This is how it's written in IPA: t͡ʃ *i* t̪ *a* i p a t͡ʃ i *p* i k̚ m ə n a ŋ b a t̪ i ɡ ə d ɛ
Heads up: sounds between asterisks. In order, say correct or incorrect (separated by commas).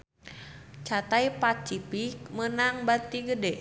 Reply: incorrect, correct, correct